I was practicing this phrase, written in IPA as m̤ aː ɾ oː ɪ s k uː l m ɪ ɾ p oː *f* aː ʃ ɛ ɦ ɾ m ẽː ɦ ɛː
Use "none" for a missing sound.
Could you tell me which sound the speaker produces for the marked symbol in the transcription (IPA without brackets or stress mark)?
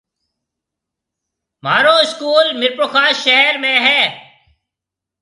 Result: x